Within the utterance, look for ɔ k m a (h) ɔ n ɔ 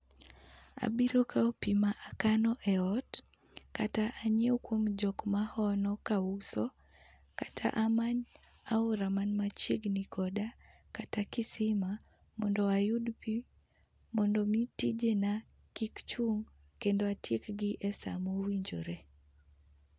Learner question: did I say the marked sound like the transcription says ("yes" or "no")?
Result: yes